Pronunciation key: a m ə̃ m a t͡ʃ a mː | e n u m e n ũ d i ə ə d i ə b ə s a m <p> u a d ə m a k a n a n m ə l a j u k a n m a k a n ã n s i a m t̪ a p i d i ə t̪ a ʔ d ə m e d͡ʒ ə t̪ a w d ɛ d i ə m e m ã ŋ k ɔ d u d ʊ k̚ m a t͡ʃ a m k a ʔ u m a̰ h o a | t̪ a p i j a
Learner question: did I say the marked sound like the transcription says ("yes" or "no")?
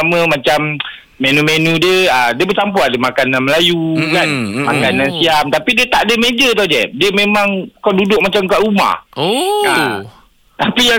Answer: yes